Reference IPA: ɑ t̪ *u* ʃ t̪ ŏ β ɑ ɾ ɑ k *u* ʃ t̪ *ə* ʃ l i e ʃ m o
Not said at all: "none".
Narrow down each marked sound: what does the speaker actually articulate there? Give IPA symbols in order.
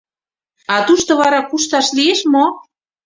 u, u, ɑ

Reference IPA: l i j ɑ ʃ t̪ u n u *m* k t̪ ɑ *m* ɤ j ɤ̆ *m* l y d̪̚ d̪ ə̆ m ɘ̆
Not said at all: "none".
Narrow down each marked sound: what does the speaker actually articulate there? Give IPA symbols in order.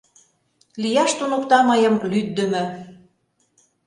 none, m, m

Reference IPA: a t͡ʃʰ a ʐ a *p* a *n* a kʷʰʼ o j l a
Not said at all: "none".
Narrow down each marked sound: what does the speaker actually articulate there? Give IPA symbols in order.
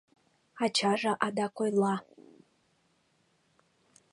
ʔ, d

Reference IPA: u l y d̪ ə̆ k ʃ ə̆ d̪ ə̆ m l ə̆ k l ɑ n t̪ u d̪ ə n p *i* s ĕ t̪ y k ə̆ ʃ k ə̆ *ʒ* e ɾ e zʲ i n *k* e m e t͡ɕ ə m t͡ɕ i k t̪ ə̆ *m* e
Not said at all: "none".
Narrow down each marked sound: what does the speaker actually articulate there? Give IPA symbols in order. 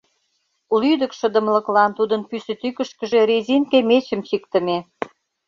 y, ʒ, k, m

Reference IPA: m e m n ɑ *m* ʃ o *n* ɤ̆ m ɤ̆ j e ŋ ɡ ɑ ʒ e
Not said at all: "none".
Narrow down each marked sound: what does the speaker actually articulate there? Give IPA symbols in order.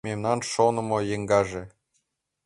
n, n

